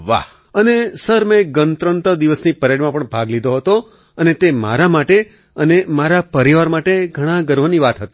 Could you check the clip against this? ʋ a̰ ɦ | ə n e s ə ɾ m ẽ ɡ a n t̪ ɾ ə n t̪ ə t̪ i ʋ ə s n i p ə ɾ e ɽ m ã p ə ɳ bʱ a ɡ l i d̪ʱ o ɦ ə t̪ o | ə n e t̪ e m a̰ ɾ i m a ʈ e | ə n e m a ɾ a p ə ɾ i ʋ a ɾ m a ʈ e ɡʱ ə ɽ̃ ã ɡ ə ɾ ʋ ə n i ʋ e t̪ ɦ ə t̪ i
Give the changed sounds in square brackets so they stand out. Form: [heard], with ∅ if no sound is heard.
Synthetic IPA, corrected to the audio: ʋ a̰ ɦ | ə n e s ə ɾ m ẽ ɡ [ə] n t̪ ɾ ə n t̪ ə [d̪] i ʋ ə s n i p ə ɾ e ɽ m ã p ə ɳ bʱ a ɡ l i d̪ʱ o ɦ ə t̪ o | ə n e t̪ e m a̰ ɾ [a] m a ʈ e | ə n e m a ɾ a p ə ɾ i ʋ a ɾ m a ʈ e ɡʱ ə ɽ̃ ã ɡ ə ɾ ʋ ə n i ʋ [a] t̪ ɦ ə t̪ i